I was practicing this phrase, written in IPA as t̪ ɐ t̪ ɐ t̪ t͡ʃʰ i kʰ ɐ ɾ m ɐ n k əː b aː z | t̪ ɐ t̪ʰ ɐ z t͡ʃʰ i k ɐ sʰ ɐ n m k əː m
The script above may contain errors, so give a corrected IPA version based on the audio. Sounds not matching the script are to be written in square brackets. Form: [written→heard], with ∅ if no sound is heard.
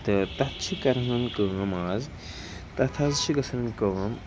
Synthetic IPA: t̪ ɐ t̪ ɐ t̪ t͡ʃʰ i [kʰ→k] ɐ ɾ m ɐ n k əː [b→m] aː z | t̪ ɐ t̪ʰ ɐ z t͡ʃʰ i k ɐ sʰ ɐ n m k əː m

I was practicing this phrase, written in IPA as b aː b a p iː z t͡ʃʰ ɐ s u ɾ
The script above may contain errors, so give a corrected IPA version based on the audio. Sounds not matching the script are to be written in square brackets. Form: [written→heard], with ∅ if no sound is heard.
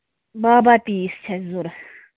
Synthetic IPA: b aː b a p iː [z→s] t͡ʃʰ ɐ [s→z] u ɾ

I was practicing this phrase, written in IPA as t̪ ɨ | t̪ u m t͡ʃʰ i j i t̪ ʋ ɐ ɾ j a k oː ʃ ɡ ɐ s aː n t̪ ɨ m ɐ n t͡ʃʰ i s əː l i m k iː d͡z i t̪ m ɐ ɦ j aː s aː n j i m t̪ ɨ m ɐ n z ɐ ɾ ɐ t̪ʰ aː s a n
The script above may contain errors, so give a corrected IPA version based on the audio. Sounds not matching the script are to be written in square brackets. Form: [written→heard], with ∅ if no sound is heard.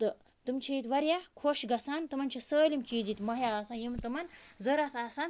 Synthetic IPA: t̪ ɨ | t̪ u m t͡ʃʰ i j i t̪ ʋ ɐ ɾ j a [k→kʰ] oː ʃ ɡ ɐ s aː n t̪ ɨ m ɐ n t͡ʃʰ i s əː l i m k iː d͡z i t̪ m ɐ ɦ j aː s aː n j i m t̪ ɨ m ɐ n z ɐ ɾ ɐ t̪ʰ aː s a n

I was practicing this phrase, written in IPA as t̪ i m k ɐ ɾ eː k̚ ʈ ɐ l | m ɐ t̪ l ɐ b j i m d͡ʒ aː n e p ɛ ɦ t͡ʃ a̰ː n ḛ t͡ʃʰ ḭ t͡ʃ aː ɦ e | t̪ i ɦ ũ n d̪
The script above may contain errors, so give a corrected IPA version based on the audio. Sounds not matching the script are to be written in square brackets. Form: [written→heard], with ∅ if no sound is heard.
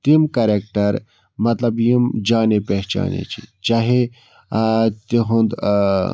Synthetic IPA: t̪ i m k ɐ ɾ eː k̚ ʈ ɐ [l→ɾ] | m ɐ t̪ l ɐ b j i m d͡ʒ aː n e p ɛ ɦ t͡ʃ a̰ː n ḛ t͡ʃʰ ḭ t͡ʃ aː ɦ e | t̪ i ɦ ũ n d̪

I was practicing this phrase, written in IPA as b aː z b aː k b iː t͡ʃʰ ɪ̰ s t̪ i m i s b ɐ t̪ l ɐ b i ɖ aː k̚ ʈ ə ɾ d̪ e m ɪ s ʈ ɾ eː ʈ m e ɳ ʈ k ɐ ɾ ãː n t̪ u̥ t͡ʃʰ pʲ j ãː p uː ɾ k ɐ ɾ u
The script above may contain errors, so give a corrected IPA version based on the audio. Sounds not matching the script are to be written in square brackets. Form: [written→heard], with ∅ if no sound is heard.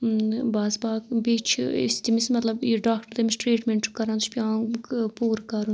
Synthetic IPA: b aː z b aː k b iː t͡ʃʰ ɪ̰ s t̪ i m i s [b→m] ɐ t̪ l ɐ b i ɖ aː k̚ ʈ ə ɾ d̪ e m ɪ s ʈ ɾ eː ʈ m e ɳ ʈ k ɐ ɾ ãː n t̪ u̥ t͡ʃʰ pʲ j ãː p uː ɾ k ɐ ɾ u

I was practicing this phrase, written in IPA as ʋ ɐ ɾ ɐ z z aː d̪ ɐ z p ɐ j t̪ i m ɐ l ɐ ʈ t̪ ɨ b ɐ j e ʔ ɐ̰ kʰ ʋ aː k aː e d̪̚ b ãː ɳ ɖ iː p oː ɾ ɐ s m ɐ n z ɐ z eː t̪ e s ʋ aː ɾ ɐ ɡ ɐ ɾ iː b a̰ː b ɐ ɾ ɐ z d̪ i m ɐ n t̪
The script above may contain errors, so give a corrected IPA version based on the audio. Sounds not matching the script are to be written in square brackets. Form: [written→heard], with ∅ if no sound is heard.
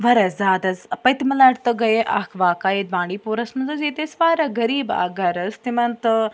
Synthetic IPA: ʋ ɐ ɾ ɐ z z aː d̪ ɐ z p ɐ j t̪ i m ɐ l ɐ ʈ t̪ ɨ [b→ɡ] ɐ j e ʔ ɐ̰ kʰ ʋ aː k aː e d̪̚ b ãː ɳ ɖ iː p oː ɾ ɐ s m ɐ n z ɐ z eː t̪ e s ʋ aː ɾ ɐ ɡ ɐ ɾ iː b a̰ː [b→ɡ] ɐ ɾ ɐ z [d̪→t̪] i m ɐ n t̪

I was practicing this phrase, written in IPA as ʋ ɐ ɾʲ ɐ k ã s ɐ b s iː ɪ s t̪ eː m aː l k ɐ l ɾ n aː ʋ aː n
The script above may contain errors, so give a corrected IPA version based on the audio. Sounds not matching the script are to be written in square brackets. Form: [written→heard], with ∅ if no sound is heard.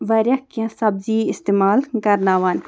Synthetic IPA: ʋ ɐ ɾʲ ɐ k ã s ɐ b [s→z] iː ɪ s t̪ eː m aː l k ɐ [l→∅] ɾ n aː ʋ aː n

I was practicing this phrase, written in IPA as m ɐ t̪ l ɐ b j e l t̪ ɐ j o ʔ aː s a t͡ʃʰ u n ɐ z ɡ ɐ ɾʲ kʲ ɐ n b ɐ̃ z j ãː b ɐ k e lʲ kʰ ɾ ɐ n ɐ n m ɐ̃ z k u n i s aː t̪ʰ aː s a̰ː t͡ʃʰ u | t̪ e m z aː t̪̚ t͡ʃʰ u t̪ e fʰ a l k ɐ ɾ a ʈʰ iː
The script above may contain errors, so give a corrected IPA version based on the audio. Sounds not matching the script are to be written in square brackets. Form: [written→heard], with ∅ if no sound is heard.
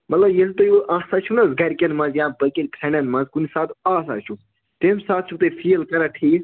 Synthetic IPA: m ɐ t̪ l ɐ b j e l t̪ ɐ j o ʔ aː s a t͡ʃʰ u n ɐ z ɡ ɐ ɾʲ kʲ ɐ n [b→m] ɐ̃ z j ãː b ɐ k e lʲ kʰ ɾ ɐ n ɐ n m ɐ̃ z k u n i s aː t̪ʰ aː s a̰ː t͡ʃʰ u | t̪ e m [z→s] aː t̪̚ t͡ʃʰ u t̪ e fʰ [a→i] l k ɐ ɾ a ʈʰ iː

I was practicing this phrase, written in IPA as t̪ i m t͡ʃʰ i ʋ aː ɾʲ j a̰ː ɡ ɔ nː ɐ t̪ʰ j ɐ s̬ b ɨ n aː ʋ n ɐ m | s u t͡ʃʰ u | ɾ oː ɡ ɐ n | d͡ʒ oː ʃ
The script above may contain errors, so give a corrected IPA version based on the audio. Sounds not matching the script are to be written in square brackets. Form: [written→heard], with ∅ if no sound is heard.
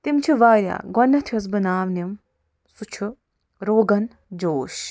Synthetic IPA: t̪ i m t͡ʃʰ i ʋ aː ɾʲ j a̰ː ɡ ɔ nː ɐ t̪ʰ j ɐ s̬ b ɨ n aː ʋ n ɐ m | s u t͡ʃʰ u | ɾ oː ɡ ɐ n | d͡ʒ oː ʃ

